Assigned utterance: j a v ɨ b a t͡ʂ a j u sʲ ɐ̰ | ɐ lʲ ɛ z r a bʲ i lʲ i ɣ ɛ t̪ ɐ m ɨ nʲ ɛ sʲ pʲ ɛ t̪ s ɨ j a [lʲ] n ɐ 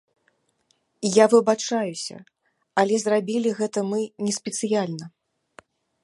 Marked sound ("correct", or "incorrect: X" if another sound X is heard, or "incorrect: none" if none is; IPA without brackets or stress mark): correct